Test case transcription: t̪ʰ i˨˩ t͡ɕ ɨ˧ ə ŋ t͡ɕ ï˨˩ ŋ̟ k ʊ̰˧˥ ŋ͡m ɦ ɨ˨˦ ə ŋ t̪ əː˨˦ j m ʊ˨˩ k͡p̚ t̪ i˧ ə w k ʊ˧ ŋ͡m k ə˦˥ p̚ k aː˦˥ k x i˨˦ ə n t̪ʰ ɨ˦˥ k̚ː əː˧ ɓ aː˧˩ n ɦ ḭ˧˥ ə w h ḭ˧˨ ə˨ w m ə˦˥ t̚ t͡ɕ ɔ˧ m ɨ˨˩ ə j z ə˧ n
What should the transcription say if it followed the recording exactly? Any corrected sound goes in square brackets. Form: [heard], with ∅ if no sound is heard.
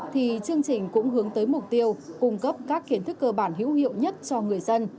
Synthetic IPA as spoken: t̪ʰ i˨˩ t͡ɕ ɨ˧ ə ŋ t͡ɕ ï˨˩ ŋ̟ k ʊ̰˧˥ ŋ͡m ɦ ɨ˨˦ ə ŋ t̪ əː˨˦ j m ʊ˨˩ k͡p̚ t̪ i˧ ə w k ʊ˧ ŋ͡m k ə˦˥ p̚ k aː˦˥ k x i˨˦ ə n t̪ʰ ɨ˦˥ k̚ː əː˧ ɓ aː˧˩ n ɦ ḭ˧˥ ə w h ḭ˧˨ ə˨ w [ɲ] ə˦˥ t̚ t͡ɕ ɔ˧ [ŋ] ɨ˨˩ ə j z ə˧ n